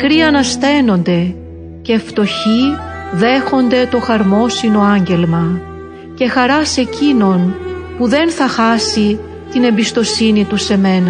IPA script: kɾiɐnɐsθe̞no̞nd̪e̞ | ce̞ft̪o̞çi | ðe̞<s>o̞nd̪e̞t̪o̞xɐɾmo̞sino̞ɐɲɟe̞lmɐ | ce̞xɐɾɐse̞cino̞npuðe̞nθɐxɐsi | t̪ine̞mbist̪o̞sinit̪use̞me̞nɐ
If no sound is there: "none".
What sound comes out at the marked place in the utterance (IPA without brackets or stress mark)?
x